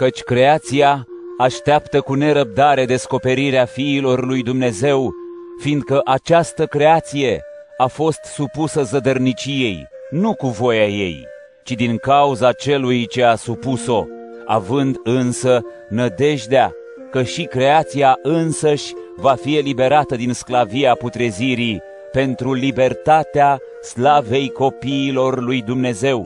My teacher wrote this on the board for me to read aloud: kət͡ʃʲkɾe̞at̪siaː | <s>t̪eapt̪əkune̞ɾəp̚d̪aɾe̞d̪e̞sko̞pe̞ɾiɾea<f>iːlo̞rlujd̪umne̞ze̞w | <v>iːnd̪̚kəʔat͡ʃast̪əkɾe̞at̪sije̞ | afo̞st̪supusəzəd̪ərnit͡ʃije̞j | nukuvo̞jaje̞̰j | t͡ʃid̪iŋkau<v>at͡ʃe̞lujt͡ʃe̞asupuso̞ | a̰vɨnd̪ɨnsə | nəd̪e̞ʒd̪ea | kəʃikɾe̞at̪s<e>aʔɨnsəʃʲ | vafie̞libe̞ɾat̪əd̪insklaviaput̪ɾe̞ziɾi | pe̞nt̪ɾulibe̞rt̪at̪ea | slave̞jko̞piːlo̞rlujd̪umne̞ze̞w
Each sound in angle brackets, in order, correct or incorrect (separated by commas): incorrect, correct, incorrect, incorrect, incorrect